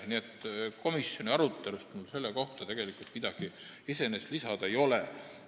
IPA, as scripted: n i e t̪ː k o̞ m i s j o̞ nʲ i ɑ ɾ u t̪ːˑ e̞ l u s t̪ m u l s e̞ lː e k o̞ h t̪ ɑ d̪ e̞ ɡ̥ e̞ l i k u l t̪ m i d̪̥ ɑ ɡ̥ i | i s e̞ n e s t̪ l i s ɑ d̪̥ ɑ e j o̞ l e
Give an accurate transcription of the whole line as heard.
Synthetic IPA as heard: n i e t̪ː k o̞ m i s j o̞ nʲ i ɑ ɾ u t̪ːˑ e̞ l u s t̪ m u l s e̞ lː e k o̞ h t̪ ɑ t̪ e̞ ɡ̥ e̞ l i k u l t̪ m i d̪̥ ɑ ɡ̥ i | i s e̞ n e s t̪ l i s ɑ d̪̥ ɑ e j o̞ l e